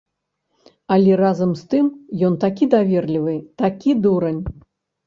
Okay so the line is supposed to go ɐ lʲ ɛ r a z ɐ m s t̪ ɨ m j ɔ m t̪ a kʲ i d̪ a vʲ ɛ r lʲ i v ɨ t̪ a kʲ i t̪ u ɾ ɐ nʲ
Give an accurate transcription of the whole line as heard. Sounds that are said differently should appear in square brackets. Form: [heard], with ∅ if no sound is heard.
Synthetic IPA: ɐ lʲ ɛ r a z ɐ m s t̪ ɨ m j ɔ [n] t̪ a kʲ i d̪ a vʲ ɛ r lʲ i v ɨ t̪ a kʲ i [d̪] u ɾ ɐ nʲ